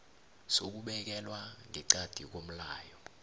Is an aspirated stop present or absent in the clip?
absent